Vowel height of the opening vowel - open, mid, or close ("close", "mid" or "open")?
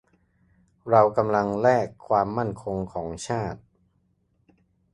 open